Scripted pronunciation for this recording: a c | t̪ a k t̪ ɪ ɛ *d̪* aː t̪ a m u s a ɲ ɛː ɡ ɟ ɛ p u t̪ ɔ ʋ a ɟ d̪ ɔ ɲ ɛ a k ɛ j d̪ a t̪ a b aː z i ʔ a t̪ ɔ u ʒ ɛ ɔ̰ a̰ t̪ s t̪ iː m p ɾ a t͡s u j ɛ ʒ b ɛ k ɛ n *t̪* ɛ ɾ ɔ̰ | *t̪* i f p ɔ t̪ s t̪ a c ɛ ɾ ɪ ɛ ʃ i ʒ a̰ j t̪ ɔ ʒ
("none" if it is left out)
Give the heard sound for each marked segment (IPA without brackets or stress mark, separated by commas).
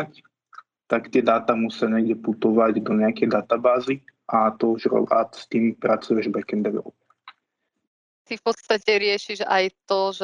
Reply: d̪, d̪, t̪